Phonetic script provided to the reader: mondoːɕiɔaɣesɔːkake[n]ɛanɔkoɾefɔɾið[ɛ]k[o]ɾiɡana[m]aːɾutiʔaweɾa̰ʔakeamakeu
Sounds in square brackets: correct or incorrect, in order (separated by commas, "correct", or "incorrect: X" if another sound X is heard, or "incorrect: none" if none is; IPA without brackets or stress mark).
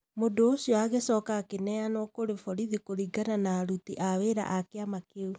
correct, incorrect: i, correct, incorrect: n